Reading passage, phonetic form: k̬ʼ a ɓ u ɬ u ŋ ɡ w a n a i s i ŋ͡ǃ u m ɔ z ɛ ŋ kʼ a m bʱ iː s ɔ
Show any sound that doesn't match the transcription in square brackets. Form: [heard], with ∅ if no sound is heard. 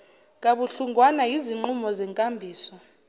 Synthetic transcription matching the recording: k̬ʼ a ɓ u ɬ u ŋ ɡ w a n a i [z] i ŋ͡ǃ u m ɔ z ɛ ŋ kʼ a m bʱ iː s ɔ